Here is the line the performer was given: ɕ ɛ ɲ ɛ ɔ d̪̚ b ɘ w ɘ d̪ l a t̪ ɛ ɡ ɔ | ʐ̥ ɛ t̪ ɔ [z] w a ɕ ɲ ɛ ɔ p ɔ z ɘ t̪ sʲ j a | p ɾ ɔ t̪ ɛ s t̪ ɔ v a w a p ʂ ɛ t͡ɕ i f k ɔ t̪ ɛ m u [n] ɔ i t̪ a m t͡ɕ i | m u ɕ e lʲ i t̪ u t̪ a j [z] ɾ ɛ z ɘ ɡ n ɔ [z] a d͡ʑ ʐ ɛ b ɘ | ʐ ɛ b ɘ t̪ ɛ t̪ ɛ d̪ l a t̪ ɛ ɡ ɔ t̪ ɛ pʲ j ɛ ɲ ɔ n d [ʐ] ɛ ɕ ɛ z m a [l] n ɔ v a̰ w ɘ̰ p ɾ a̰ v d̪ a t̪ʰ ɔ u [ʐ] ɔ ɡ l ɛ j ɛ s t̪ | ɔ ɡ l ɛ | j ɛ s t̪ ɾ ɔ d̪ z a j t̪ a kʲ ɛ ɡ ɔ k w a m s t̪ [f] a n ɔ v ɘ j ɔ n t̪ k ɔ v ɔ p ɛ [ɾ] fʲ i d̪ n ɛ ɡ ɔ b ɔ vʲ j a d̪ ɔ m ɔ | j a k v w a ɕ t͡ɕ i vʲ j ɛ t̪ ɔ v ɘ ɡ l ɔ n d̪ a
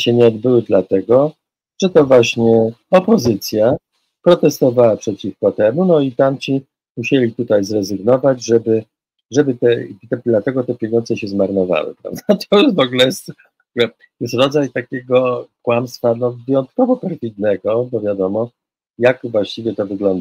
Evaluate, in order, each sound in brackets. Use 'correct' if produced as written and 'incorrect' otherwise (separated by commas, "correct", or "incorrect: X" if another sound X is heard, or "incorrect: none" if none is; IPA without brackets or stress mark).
incorrect: v, correct, correct, incorrect: v, incorrect: z, incorrect: ɾ, incorrect: v, correct, correct